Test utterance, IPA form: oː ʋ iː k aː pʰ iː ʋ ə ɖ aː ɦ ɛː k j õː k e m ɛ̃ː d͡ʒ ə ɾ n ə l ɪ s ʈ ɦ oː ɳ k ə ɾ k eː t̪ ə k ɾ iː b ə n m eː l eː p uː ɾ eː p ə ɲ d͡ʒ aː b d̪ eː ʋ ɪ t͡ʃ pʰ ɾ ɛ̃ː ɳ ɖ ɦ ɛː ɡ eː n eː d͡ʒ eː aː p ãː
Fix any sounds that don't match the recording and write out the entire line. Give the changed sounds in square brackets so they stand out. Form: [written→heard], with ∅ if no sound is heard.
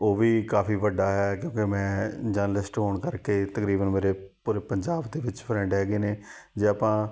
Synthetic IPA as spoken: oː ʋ iː k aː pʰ iː ʋ ə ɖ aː ɦ ɛː k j õː k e m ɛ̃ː d͡ʒ ə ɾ n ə l ɪ s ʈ ɦ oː ɳ k ə ɾ k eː t̪ ə k ɾ iː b ə n m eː [l→ɾ] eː p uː ɾ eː p ə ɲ d͡ʒ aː b d̪ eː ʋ ɪ t͡ʃ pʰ ɾ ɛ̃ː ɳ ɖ ɦ ɛː ɡ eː n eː d͡ʒ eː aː p ãː